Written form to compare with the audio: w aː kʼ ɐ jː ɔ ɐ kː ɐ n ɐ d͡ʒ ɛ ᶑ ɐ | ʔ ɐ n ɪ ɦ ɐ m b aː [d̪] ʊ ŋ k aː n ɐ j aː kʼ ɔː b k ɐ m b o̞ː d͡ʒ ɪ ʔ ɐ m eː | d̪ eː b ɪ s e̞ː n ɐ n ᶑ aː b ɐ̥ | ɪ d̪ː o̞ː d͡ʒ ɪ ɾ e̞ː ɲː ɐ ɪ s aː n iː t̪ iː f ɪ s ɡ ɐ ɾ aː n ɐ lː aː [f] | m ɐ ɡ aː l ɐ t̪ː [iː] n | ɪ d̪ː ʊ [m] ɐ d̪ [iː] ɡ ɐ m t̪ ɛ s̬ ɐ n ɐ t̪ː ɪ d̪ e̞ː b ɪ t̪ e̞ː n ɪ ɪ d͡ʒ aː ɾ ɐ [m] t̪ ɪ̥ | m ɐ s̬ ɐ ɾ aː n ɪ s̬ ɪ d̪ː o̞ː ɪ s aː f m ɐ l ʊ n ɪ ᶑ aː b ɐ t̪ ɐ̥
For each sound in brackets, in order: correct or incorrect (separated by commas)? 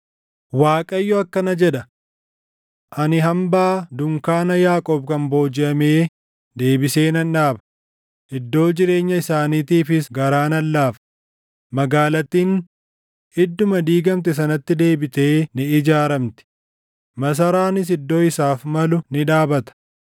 correct, correct, correct, correct, correct, correct